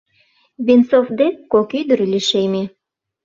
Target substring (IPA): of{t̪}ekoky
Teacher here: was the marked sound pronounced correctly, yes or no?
no